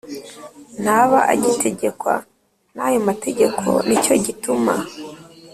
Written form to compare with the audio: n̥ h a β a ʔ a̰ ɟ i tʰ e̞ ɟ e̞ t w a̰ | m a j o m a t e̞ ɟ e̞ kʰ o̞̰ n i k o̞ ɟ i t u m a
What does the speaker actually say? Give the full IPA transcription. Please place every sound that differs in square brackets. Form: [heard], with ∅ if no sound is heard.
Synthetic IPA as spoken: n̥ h a β a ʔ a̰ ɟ i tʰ e̞ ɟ e̞ [k] w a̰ | [n] a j o m a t e̞ ɟ e̞ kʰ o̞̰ n i [c] o̞ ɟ i t u m a